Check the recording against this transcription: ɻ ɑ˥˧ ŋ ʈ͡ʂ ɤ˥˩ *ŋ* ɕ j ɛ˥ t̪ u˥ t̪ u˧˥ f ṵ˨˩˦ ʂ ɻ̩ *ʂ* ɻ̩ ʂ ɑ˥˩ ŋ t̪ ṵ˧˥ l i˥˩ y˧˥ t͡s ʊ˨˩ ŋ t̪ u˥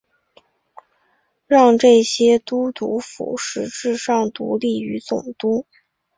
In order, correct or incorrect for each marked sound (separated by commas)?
incorrect, incorrect